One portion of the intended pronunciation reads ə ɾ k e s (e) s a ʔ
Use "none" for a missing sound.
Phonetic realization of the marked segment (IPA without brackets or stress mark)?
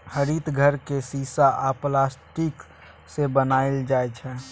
i